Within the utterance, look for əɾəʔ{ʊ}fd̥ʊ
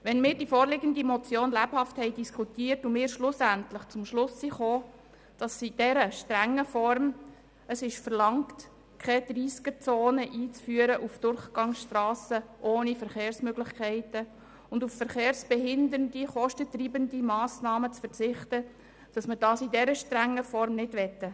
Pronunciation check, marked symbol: incorrect: u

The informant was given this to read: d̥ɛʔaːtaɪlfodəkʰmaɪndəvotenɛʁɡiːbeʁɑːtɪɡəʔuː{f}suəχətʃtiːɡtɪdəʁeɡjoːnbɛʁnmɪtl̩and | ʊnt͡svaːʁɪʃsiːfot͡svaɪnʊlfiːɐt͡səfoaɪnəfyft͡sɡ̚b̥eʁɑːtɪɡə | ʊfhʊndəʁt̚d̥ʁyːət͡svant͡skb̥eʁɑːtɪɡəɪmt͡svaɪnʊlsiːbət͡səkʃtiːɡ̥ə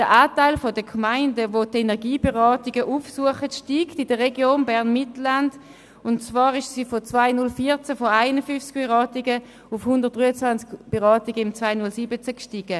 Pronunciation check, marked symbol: correct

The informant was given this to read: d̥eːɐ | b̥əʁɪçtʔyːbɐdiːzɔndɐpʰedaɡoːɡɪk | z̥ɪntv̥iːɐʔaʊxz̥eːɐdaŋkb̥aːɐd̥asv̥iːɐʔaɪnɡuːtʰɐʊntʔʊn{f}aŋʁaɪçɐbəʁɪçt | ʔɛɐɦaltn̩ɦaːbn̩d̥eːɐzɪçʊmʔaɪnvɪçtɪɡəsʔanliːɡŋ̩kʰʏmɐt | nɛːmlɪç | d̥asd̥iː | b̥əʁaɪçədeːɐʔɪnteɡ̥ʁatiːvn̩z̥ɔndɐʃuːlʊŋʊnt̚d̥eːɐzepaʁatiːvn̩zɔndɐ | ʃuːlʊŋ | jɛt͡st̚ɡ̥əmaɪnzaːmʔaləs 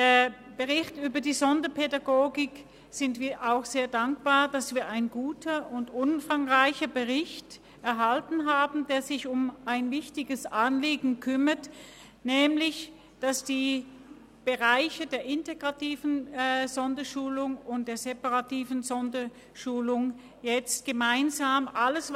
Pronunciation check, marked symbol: correct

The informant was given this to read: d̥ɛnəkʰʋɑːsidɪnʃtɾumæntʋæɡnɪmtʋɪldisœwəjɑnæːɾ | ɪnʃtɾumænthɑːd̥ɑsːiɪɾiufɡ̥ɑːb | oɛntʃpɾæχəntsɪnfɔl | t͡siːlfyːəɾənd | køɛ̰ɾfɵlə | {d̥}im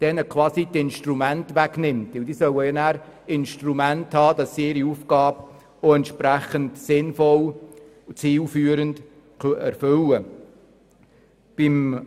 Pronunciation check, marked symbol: incorrect: b̥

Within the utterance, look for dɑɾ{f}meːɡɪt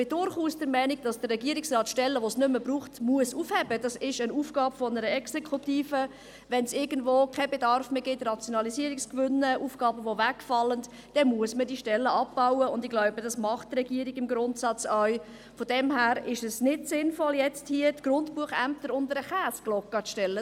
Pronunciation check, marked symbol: correct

